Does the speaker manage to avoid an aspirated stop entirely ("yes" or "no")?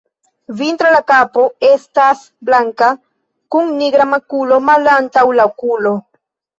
yes